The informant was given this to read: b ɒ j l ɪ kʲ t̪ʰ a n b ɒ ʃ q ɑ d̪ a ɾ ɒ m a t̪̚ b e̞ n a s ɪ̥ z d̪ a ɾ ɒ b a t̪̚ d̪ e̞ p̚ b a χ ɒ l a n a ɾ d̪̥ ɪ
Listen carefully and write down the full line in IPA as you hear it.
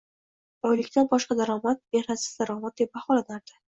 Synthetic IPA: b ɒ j l ɪ kʲ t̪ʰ a n b ɒ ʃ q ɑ d̪ a ɾ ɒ m a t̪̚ b e̞ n a s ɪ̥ z d̪ a ɾ ɒ m a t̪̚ d̪ e̞ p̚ b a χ ɒ l a n a ɾ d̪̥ ɪ